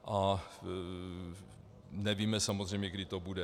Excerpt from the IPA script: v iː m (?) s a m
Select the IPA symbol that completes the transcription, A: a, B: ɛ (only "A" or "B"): B